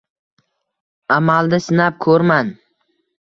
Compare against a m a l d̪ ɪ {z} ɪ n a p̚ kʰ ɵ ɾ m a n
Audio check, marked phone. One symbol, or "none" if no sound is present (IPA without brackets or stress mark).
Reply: s